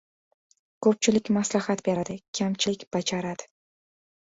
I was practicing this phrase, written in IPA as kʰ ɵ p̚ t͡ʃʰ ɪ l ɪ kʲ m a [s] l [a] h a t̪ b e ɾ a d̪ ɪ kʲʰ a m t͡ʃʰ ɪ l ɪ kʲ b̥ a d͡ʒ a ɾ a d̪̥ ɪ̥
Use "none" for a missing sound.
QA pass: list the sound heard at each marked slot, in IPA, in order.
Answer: s, a

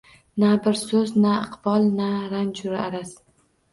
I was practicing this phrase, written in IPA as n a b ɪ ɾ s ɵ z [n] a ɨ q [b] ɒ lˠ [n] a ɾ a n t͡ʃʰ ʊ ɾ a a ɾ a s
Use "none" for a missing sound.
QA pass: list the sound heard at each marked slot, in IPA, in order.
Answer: n, b, n

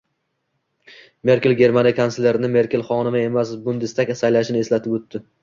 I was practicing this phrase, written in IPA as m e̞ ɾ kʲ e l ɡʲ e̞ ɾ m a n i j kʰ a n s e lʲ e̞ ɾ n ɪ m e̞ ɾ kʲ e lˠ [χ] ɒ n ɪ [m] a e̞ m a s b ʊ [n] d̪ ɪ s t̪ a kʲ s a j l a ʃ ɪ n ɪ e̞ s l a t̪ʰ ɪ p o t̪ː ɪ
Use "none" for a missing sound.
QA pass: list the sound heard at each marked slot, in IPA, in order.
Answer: χ, m, n

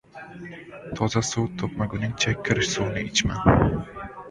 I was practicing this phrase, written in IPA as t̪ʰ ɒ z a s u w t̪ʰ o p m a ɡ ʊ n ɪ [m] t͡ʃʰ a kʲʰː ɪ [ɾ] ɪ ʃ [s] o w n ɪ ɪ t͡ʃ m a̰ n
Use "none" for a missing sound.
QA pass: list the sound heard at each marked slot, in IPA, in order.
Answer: ŋ, ɾ, s

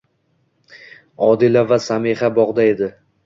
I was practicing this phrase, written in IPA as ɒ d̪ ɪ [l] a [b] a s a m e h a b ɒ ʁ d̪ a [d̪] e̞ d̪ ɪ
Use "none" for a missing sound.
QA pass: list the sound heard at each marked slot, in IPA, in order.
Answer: l, v, none

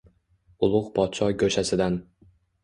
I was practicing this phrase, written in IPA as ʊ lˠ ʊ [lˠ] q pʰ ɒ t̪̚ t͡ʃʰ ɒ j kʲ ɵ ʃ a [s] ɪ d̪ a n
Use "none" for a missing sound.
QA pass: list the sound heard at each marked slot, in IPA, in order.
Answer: none, s

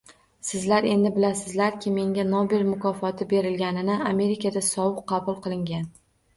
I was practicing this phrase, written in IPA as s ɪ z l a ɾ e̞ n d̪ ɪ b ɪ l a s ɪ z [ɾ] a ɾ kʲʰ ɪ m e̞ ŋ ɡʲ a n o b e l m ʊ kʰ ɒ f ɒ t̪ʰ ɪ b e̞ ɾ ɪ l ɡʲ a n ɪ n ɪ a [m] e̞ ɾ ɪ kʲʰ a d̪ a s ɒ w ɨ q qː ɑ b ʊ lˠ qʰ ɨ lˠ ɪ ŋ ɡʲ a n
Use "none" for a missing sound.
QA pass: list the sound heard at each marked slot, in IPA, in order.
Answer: l, m

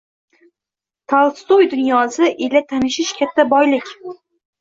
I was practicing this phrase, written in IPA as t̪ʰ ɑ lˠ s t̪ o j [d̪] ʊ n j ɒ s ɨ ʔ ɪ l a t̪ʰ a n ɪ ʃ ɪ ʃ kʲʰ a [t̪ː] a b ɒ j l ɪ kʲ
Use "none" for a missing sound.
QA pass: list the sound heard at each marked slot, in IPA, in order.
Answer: d̪, t̪ː

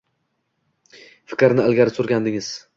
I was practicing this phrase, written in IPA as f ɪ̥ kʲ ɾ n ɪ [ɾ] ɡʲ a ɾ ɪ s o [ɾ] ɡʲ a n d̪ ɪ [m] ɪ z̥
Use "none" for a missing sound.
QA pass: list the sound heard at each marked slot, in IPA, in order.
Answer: l, ɾ, ŋ

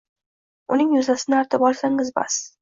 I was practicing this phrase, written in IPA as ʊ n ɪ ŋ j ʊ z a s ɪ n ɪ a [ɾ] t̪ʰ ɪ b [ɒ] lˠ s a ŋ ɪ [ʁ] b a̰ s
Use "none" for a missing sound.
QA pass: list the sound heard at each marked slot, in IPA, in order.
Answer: ɾ, ɒ, z

